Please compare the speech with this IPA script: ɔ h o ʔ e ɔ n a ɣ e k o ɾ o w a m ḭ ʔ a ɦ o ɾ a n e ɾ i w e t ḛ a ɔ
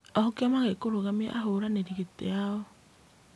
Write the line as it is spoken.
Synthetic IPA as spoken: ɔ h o k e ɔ m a ɣ e k o ɾ o ɣ a m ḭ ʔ a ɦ o ɾ a n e ɾ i ɣ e t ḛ a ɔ